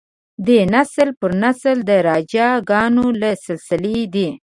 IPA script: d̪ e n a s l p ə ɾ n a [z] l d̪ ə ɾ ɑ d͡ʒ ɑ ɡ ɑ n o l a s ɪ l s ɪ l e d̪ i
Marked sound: incorrect: s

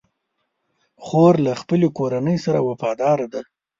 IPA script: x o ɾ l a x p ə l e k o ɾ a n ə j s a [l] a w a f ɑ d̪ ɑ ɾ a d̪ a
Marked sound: incorrect: ɾ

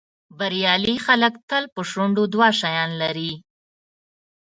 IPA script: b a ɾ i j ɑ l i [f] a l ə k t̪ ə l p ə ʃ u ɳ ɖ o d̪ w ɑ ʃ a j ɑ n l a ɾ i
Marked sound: incorrect: x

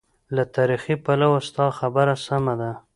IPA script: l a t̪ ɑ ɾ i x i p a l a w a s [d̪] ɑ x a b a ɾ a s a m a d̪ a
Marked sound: incorrect: t̪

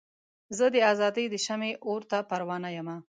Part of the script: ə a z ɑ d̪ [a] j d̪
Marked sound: incorrect: ə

